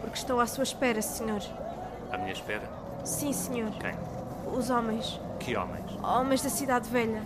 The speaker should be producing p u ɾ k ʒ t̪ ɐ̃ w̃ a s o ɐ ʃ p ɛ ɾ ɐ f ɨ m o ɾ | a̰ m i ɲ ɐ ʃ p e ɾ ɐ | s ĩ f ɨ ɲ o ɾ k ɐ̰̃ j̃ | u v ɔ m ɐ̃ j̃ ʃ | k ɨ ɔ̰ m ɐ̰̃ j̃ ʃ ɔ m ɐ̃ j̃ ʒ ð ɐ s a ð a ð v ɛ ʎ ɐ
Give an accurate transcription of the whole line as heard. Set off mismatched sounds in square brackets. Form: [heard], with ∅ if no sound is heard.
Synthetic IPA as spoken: p u ɾ k [ʃ] t̪ ɐ̃ w̃ a s [u] ɐ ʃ p ɛ ɾ ɐ [s] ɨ [ɲ] o ɾ | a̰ m i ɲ ɐ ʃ p [ɛ] ɾ ɐ | s ĩ [s] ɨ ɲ o ɾ k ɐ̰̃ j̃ | u [z] ɔ m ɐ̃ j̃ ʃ | k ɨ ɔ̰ m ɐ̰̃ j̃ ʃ ɔ m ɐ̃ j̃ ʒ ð ɐ s [i] ð a ð v ɛ ʎ ɐ